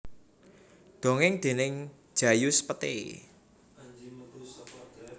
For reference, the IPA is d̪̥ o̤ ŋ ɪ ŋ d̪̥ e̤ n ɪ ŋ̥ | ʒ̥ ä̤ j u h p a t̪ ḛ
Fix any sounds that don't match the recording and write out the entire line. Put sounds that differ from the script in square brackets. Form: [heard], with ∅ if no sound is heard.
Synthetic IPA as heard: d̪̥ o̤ ŋ ɪ ŋ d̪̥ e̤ n ɪ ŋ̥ | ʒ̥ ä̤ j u [s] p [ə] t̪ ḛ